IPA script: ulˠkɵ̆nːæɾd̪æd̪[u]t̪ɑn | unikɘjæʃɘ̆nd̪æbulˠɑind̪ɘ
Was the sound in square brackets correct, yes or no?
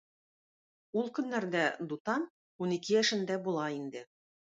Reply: yes